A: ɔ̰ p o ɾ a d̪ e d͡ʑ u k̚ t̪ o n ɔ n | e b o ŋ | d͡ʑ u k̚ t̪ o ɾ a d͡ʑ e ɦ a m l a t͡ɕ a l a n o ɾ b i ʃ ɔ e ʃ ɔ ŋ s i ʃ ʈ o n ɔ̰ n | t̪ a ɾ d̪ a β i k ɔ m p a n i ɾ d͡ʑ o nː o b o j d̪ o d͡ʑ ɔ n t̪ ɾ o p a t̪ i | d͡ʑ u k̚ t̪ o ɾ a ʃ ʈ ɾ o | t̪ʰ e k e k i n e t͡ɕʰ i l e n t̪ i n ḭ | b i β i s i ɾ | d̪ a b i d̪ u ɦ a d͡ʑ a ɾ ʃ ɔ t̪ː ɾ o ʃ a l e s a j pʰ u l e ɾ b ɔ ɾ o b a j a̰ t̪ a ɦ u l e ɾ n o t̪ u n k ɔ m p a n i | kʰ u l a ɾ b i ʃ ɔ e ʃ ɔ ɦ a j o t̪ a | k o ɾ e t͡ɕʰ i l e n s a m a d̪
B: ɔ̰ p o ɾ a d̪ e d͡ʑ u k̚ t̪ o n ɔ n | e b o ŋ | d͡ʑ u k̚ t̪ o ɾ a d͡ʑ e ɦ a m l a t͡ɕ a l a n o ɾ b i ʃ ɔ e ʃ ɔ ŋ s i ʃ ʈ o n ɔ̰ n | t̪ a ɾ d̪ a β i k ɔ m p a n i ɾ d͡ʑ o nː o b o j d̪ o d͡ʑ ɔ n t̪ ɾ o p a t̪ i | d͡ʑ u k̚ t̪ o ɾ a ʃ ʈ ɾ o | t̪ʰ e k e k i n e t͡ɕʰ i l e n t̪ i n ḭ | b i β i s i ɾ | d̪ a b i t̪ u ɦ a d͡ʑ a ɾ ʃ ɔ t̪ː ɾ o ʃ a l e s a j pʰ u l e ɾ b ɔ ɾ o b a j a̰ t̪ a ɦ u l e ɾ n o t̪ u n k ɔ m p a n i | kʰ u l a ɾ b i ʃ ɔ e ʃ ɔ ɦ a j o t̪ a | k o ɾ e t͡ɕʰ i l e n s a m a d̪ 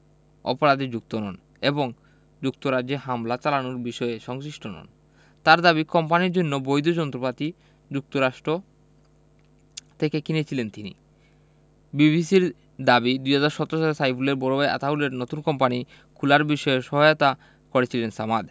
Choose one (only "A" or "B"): A